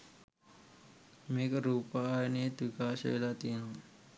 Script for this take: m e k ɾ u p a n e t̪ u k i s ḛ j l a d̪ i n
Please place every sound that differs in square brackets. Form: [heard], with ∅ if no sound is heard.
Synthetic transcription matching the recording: m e k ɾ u p a n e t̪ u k [a] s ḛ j l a [t̪] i n

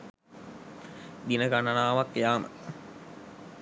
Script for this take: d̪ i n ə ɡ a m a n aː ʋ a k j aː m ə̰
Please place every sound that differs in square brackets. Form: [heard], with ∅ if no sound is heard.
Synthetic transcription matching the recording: d̪ i n ə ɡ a [n] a n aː ʋ a k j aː m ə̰

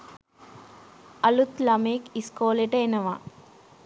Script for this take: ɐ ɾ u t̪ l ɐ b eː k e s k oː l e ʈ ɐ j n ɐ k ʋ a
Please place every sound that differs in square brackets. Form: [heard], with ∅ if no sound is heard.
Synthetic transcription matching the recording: ɐ [l] u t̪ l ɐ [m] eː k [i] s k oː l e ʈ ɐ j n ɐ [∅] ʋ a

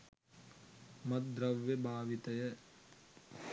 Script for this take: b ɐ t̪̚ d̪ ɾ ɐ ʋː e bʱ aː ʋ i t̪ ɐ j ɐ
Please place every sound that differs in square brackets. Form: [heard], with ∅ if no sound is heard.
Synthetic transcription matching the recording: [m] ɐ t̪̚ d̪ ɾ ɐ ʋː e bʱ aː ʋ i t̪ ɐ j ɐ

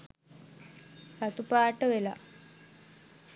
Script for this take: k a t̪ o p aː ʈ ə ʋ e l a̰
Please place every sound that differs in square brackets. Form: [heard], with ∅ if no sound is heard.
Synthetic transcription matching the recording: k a t̪ [u] p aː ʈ ə ʋ e l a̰

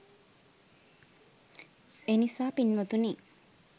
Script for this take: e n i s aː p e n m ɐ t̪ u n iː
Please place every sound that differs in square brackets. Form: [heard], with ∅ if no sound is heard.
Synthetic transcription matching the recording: e n i s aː p [i] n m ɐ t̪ u n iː

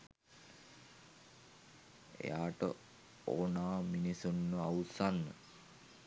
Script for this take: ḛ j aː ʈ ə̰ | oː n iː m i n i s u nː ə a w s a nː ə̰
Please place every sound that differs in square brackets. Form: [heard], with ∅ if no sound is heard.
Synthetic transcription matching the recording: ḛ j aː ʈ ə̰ | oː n [aː] m i n i s u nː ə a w s a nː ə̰

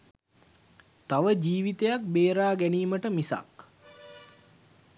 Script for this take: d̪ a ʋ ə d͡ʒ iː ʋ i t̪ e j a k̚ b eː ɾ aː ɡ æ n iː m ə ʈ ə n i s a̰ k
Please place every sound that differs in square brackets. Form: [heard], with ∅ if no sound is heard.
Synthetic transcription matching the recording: [t̪] a ʋ ə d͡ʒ iː ʋ i t̪ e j a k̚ b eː ɾ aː ɡ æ n iː m ə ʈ ə [m] i s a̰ k

